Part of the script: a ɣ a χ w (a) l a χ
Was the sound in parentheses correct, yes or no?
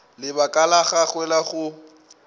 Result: no